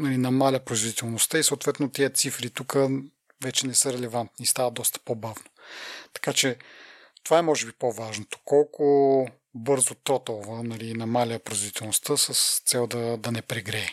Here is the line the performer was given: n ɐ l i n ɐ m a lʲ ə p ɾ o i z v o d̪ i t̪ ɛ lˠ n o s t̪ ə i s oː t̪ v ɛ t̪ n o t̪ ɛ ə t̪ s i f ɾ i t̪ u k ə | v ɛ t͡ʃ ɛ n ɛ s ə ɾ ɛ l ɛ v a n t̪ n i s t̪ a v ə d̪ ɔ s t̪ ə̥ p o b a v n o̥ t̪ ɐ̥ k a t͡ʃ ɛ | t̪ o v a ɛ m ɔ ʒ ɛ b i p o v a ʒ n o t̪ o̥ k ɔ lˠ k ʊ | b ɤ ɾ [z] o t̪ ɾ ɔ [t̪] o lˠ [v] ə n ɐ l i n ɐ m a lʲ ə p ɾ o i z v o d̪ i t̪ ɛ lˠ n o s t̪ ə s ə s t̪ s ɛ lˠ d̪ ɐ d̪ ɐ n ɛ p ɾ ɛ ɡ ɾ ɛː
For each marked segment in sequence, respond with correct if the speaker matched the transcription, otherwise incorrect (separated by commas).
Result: correct, correct, correct